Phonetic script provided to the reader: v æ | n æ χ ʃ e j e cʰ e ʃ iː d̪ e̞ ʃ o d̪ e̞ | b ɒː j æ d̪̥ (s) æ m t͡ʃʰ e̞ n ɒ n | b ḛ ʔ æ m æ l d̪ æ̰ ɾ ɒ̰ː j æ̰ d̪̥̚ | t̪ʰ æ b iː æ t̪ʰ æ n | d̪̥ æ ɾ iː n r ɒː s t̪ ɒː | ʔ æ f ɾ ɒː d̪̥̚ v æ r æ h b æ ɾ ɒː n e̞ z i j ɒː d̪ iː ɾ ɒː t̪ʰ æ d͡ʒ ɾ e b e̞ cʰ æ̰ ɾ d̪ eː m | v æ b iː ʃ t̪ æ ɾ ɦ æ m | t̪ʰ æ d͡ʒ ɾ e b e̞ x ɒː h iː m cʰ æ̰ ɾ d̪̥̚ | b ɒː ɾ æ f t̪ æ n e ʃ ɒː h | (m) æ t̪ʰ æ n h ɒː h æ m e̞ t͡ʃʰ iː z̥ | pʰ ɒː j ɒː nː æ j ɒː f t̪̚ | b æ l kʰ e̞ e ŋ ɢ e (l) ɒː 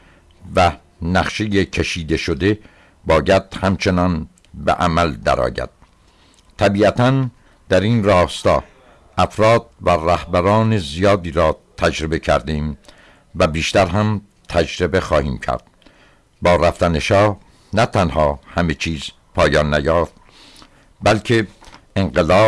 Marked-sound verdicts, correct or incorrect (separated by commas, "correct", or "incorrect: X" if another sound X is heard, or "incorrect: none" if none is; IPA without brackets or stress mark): incorrect: h, incorrect: n, correct